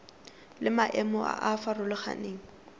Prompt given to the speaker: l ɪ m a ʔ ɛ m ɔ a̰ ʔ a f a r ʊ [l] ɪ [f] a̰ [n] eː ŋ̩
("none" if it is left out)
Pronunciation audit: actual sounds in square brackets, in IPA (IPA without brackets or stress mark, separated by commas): l, χ, n